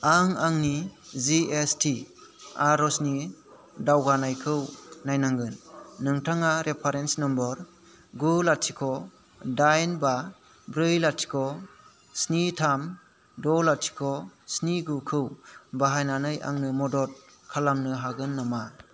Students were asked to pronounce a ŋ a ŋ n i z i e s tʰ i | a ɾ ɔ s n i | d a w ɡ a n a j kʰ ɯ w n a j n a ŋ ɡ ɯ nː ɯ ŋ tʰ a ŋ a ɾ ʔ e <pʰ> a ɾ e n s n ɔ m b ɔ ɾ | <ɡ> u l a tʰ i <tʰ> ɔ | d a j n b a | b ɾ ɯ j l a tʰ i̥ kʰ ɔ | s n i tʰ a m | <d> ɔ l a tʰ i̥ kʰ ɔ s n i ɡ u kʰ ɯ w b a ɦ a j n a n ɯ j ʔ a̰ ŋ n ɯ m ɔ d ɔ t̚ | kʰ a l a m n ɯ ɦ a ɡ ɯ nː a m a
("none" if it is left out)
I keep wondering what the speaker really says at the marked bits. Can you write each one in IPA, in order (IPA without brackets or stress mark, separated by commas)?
pʰ, ɡ, kʰ, d